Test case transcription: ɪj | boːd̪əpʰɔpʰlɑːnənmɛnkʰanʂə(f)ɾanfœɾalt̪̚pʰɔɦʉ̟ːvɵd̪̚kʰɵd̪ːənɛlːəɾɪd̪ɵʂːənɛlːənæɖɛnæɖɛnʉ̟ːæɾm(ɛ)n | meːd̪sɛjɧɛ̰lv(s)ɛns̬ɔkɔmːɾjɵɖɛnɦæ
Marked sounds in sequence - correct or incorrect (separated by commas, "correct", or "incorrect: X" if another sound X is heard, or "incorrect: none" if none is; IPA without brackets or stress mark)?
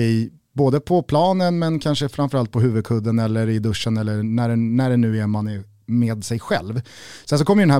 correct, incorrect: a, correct